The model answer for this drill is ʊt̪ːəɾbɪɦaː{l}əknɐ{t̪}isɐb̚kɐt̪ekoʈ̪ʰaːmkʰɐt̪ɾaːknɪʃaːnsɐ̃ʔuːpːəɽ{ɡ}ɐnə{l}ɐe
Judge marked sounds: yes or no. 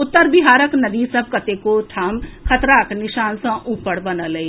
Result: no, no, no, yes

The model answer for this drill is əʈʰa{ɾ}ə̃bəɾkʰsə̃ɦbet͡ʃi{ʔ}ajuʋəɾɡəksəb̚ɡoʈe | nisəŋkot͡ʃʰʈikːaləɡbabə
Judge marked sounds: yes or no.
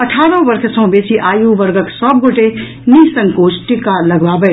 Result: yes, yes

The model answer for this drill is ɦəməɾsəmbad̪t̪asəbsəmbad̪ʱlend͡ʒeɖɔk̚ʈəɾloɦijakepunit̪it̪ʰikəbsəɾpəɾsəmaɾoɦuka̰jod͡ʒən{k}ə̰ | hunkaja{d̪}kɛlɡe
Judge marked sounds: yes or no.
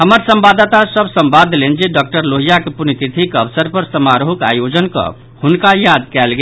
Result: yes, yes

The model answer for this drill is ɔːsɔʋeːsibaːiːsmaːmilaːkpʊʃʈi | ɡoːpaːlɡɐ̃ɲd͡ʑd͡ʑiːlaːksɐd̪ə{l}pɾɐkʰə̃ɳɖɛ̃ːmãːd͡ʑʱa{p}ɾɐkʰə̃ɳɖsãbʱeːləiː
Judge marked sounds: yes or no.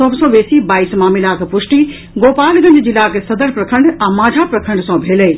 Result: no, yes

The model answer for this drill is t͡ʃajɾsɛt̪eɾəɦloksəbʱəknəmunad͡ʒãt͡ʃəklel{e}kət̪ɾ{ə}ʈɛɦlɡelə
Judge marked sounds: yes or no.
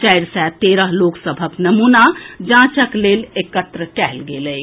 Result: yes, yes

